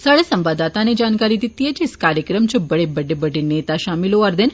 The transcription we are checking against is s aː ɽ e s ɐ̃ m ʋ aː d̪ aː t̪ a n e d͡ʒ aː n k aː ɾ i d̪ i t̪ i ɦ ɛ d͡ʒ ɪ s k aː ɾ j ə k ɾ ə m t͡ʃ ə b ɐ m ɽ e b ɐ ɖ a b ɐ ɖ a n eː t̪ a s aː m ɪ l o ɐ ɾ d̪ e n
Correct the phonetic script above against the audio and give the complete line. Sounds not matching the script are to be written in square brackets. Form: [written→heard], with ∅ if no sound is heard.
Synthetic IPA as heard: s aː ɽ e s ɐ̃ m ʋ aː d̪ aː t̪ a n e d͡ʒ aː n k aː ɾ i d̪ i t̪ i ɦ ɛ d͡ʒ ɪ s k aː ɾ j ə k ɾ ə m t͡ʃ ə b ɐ [m→∅] ɽ e b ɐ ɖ [a→e] b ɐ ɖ [a→e] n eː t̪ a [s→ʃ] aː m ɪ l o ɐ ɾ d̪ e n